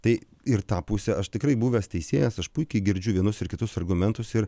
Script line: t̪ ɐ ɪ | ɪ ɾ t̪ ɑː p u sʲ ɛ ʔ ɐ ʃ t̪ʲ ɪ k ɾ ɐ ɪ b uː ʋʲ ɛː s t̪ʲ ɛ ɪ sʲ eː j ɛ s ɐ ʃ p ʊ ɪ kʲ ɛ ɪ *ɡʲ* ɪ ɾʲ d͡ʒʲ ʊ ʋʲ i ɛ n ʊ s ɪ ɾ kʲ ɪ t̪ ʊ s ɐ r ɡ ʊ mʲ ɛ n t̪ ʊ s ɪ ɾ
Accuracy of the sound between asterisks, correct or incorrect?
correct